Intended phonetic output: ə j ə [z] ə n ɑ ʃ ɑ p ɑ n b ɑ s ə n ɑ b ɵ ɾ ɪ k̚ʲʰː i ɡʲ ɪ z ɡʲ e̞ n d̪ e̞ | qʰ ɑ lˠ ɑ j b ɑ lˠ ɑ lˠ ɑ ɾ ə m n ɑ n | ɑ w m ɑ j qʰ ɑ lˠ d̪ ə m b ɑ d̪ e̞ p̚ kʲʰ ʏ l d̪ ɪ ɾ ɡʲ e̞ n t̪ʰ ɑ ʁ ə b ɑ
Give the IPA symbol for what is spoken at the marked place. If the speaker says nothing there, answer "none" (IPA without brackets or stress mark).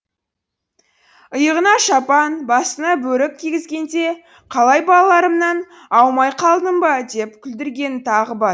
ʁ